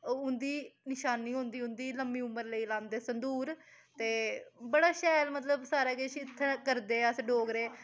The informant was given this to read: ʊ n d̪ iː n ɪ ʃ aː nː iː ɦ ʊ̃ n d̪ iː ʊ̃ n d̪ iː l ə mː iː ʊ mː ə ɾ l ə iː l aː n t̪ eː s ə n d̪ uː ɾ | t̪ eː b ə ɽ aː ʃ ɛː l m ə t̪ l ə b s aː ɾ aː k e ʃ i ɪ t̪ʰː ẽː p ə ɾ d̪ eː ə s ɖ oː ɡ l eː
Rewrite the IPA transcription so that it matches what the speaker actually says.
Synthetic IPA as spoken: ʊ n d̪ iː n ɪ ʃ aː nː iː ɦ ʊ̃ n d̪ iː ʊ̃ n d̪ iː l ə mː iː ʊ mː ə ɾ l ə iː l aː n d̪ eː s ə n d̪ uː ɾ | t̪ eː b ə ɽ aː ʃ ɛː l m ə t̪ l ə b s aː ɾ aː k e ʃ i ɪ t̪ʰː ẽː k ə ɾ d̪ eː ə s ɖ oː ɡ ɾ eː

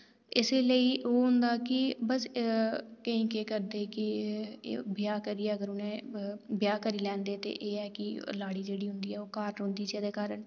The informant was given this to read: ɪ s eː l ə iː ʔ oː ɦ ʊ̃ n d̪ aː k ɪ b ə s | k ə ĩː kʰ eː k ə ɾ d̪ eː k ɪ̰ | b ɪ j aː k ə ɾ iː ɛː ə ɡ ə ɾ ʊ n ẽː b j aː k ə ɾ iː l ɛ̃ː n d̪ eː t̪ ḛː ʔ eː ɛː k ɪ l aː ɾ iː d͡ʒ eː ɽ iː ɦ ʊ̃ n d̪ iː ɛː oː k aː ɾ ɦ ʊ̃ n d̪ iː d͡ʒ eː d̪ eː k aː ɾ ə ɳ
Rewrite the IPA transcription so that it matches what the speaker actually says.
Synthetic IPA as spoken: ɪ s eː l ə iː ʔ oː ɦ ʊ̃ n d̪ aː k ɪ b ə s | k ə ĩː k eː k ə ɾ d̪ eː k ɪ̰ | b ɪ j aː k ə ɾ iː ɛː ə ɡ ə ɾ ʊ n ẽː b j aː k ə ɾ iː l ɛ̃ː n d̪ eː t̪ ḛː ʔ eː ɛː k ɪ l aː ɽ iː d͡ʒ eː ɽ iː ɦ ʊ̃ n d̪ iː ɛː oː k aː ɾ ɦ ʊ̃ n d̪ iː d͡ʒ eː d̪ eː k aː ɾ ə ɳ

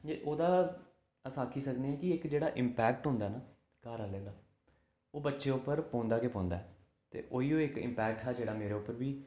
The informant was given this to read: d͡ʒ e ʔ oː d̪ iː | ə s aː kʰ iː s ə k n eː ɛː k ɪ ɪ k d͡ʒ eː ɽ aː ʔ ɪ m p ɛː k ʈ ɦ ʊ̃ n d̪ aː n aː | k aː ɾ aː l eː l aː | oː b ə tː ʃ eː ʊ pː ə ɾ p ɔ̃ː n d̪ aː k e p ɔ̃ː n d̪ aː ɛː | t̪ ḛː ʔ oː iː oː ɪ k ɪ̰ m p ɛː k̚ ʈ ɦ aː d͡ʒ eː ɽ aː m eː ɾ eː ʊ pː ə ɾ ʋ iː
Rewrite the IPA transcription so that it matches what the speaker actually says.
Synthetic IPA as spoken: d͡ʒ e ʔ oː d̪ aː | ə s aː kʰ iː s ə k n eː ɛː k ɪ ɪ k d͡ʒ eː ɽ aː ʔ ɪ m p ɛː k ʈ ɦ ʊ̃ n d̪ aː n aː | k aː ɾ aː l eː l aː | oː b ə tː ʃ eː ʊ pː ə ɾ p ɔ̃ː n d̪ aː k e p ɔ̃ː n d̪ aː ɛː | t̪ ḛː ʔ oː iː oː ɪ k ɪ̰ m p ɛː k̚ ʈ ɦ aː d͡ʒ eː ɽ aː m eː ɾ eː ʊ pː ə ɾ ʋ iː

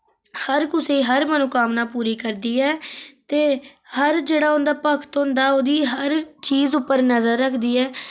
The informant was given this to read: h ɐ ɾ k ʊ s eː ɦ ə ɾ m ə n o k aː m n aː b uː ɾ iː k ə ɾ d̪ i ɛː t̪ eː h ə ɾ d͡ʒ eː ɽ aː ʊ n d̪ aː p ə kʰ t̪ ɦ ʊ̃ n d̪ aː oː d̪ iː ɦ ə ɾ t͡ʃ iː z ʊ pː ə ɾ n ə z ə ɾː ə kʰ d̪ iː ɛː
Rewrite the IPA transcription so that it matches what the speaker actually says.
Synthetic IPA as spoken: h ə ɾ k ʊ s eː ɦ ə ɾ m ə n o k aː m n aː p uː ɾ iː k ə ɾ d̪ iː ɛː t̪ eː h ə ɾ d͡ʒ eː ɽ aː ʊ n d̪ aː p ə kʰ t̪ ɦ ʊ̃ n d̪ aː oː d̪ iː ɦ ə ɾ t͡ʃ iː z ʊ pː ə ɾ n ə z ə ɾː ə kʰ d̪ iː ɛː

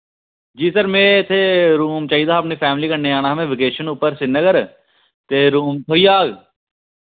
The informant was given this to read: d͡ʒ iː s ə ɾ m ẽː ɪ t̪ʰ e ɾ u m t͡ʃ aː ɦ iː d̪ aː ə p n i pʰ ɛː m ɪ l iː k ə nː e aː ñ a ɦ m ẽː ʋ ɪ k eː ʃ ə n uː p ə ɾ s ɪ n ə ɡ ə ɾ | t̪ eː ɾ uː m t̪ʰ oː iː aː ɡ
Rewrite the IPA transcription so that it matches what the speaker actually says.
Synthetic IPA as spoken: d͡ʒ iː s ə ɾ m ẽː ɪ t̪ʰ e ɾ uː m t͡ʃ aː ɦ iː d̪ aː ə p n i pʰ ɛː m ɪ l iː k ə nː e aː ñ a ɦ m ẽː ʋ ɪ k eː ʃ ə n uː p ə ɾ s ɪ n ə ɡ ə ɾ | t̪ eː ɾ uː m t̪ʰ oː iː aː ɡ

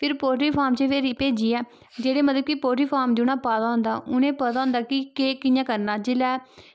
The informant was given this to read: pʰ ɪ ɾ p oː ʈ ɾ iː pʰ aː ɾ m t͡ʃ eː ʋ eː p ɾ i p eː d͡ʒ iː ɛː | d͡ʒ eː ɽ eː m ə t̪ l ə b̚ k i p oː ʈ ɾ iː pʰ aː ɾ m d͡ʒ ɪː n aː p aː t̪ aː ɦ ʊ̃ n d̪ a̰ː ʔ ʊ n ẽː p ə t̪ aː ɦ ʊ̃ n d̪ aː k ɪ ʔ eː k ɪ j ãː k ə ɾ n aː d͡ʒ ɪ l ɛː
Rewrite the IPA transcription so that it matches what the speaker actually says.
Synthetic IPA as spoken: pʰ ɪ ɾ p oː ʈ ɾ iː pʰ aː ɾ m t͡ʃ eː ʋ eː ɾ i p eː d͡ʒ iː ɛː | d͡ʒ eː ɽ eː m ə t̪ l ə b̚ k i p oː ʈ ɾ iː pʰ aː ɾ m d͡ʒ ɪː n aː p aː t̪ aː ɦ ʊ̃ n d̪ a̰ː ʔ ʊ n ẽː p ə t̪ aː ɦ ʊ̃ n d̪ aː k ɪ k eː k ɪ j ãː k ə ɾ n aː d͡ʒ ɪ l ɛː

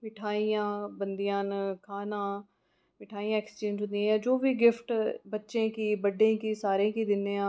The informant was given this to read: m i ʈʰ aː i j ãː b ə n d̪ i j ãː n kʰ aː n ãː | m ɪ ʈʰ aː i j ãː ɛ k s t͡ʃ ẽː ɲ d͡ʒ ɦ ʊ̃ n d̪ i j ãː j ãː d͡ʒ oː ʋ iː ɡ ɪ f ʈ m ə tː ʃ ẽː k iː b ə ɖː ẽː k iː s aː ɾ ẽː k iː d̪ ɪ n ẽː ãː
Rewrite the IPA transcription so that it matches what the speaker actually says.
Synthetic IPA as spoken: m ɪ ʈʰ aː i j ãː b ə n d̪ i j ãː n kʰ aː n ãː | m ɪ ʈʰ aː i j ãː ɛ k s t͡ʃ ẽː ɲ d͡ʒ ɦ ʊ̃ n d̪ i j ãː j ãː d͡ʒ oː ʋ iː ɡ ɪ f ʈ b ə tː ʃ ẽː k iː b ə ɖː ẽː k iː s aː ɾ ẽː k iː d̪ ɪ n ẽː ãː

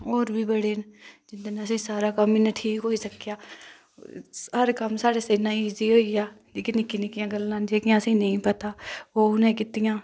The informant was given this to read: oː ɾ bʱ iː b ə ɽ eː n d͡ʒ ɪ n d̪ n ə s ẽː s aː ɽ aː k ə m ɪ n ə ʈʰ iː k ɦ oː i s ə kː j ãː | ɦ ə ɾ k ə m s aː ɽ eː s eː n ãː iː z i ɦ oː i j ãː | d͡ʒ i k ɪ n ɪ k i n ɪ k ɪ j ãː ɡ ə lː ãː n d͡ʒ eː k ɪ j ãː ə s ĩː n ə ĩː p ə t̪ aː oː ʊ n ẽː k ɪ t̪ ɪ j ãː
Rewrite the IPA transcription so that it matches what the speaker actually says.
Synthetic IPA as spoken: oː ɾ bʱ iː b ə ɽ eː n d͡ʒ ɪ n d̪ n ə s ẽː s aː ɾ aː k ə m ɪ n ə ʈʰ iː k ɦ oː i s ə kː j aː | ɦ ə ɾ k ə m s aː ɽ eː s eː n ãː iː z i ɦ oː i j aː | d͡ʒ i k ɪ n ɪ k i n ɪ k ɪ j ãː ɡ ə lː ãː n d͡ʒ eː k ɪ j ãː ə s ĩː n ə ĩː p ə t̪ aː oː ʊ n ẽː k ɪ t̪ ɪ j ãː

